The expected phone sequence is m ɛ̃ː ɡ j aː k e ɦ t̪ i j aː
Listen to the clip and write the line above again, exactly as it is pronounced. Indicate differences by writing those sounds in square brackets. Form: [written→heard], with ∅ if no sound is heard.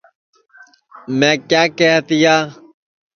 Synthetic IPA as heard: m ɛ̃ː [ɡ→k] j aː k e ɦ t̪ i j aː